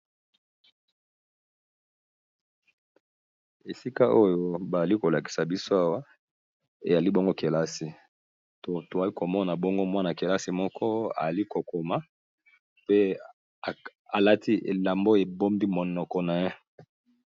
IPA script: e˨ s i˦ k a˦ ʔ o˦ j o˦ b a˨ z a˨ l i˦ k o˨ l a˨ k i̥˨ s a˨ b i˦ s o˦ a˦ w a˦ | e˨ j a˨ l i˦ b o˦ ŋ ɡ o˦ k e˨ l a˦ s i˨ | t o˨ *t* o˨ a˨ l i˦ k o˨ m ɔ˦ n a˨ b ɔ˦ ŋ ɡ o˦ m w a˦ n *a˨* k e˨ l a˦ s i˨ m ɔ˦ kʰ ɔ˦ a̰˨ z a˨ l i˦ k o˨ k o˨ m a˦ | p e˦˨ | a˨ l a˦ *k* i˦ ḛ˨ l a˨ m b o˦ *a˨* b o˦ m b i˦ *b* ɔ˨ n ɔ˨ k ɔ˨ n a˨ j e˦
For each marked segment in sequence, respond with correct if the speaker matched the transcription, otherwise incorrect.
correct, correct, incorrect, incorrect, incorrect

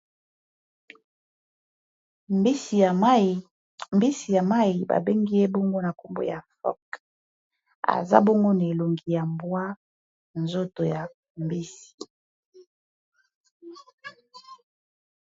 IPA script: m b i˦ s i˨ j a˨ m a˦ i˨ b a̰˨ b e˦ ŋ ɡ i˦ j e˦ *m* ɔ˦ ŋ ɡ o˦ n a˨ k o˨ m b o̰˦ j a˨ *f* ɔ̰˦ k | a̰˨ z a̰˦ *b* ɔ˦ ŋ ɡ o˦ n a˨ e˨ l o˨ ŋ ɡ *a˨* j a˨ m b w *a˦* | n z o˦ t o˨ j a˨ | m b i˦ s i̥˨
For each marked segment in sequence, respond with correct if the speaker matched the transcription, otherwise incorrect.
incorrect, correct, correct, incorrect, correct

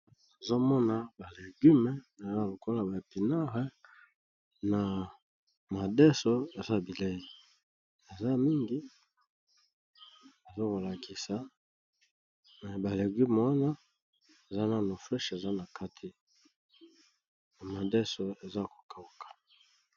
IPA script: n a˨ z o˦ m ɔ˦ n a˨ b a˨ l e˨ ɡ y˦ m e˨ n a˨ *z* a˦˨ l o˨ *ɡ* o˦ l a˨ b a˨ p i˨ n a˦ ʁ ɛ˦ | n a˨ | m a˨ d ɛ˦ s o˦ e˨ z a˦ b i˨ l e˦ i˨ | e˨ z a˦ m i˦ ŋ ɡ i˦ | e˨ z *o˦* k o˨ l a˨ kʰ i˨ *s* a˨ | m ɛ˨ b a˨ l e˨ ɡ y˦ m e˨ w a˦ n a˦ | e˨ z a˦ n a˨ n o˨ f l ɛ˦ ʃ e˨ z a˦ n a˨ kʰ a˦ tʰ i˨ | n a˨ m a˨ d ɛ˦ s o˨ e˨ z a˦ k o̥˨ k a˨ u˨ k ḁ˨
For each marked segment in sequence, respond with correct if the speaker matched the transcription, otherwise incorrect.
correct, incorrect, correct, correct

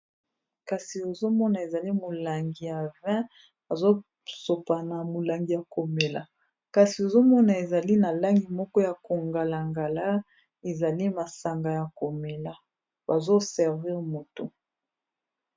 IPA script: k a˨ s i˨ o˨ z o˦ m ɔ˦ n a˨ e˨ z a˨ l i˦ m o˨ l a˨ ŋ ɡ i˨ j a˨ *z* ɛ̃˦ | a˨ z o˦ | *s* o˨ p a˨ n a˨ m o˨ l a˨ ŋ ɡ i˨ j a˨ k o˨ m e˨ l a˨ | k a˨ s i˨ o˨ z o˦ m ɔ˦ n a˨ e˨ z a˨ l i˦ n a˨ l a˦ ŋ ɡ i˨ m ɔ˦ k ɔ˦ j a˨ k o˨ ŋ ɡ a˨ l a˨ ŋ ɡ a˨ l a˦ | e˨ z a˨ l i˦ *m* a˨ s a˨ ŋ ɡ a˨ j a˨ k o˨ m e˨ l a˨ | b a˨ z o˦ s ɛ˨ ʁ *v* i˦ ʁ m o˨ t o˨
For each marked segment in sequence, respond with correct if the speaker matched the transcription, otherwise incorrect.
incorrect, correct, correct, correct

